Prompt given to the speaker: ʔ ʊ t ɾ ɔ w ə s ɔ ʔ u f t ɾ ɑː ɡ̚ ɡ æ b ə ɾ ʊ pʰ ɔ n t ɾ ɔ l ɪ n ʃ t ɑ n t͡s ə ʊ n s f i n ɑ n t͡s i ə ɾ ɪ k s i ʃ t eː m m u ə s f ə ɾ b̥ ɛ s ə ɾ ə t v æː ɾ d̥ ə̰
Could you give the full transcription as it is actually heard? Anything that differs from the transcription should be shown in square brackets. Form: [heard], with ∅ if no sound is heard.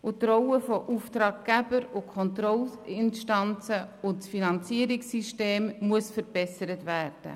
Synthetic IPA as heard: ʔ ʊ t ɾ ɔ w ə [f] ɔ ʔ u f t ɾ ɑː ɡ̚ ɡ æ b ə ɾ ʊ [kʰ] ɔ n t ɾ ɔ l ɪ n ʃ t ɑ n t͡s ə ʊ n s f i n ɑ n t͡s i ə ɾ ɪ k s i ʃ t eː m m u ə s f ə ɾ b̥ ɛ s ə ɾ ə t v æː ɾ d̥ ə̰